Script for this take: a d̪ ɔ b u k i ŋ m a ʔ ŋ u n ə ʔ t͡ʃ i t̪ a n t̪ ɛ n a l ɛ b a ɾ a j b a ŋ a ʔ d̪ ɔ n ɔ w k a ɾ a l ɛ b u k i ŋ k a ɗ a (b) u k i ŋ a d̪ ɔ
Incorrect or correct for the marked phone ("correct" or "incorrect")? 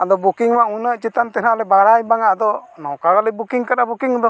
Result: correct